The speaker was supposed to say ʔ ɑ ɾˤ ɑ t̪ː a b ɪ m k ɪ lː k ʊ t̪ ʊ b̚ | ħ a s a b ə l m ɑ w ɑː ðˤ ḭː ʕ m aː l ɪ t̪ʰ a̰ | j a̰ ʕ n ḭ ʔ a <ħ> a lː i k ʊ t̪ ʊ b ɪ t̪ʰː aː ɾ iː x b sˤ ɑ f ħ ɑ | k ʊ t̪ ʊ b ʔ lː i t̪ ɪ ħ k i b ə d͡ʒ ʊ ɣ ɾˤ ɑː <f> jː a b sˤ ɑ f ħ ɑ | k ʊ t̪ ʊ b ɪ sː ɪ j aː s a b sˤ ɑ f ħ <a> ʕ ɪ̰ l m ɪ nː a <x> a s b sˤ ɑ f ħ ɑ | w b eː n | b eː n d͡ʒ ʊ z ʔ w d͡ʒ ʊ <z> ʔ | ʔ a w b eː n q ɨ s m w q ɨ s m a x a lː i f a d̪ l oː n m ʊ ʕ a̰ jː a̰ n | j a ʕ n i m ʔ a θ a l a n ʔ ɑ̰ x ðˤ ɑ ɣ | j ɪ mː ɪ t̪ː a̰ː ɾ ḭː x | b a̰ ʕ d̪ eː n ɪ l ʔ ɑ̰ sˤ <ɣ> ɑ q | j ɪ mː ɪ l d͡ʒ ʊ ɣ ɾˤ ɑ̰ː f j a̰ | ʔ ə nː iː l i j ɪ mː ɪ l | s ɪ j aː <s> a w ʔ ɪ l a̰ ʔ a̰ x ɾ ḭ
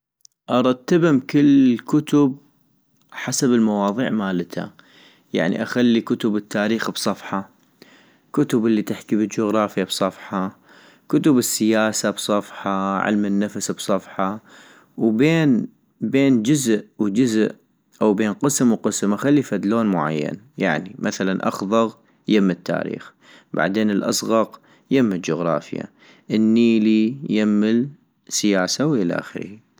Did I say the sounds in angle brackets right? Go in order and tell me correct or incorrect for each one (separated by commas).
incorrect, correct, incorrect, incorrect, correct, correct, correct